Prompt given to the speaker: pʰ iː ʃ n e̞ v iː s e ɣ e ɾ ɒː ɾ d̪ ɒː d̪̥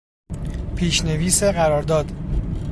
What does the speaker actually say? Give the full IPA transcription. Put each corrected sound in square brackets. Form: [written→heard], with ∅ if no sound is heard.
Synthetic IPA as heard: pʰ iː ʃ n e̞ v iː s e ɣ [e→æ] ɾ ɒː ɾ d̪ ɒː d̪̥